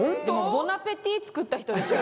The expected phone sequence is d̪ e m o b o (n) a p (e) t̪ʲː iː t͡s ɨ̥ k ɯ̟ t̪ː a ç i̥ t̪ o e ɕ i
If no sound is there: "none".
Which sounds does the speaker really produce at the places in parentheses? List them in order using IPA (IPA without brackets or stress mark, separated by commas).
n, e